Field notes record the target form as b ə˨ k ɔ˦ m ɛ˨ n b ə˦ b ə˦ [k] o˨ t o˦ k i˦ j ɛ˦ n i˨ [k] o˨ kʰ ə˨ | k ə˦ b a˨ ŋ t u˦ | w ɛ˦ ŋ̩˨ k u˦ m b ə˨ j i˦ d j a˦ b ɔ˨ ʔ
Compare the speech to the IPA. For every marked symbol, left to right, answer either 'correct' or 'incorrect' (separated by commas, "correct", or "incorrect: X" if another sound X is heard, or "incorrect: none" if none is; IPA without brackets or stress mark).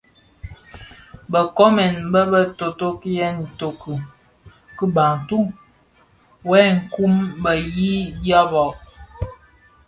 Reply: incorrect: t, incorrect: t